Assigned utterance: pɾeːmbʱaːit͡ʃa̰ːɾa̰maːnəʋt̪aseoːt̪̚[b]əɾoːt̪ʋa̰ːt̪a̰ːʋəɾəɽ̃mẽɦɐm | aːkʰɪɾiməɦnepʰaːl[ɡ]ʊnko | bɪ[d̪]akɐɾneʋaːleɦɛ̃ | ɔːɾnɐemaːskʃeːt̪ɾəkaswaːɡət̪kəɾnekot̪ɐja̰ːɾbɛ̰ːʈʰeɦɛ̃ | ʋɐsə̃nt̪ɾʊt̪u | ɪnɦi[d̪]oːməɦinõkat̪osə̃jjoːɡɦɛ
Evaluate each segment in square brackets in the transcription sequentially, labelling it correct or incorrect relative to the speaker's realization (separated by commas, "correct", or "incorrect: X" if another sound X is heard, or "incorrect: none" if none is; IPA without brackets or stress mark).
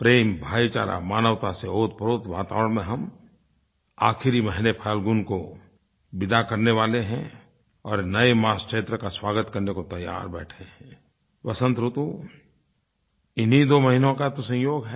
incorrect: p, correct, correct, correct